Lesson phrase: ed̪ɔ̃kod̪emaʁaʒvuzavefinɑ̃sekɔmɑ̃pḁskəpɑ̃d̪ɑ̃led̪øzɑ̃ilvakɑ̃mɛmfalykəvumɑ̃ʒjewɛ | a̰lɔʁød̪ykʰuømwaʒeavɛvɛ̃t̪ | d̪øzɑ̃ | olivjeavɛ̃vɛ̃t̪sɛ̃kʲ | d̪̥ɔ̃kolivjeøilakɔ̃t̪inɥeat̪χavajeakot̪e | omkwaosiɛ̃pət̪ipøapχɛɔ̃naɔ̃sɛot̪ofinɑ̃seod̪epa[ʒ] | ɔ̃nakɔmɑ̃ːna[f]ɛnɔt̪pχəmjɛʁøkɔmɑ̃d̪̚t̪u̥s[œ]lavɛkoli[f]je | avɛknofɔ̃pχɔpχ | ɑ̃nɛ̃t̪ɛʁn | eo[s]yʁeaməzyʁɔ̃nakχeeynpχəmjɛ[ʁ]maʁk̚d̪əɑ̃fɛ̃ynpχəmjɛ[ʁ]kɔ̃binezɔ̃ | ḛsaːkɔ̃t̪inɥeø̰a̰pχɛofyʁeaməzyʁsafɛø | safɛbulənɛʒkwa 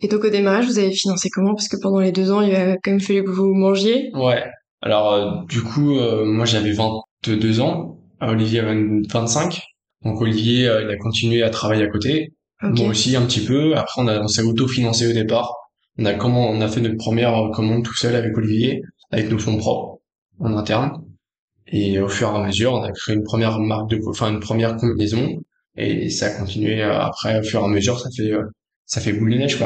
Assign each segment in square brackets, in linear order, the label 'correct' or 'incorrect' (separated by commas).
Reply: incorrect, correct, correct, incorrect, incorrect, correct, correct